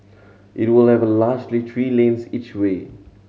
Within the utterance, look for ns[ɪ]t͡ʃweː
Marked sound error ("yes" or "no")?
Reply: yes